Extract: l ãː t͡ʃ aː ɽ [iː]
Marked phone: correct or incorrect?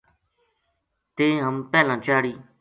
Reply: correct